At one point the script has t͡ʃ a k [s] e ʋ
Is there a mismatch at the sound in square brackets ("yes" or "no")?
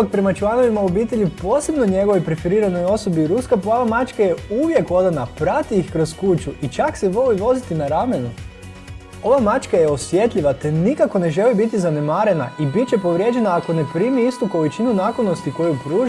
no